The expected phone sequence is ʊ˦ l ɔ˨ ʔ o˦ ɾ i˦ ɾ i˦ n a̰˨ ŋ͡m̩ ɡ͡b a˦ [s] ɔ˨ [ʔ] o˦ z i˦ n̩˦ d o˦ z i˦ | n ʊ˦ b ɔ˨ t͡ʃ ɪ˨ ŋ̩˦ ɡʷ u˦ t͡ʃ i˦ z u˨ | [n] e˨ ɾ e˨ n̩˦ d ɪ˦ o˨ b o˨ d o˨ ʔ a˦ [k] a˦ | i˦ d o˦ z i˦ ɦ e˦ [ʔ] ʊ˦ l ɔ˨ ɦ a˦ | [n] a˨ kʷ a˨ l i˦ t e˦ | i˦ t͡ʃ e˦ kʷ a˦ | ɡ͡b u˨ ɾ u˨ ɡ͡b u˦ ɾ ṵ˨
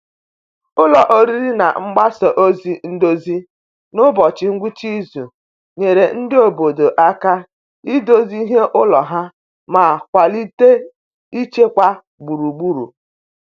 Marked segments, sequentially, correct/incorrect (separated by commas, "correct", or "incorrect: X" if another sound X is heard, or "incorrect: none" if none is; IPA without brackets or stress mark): correct, correct, incorrect: ɲ, correct, correct, incorrect: m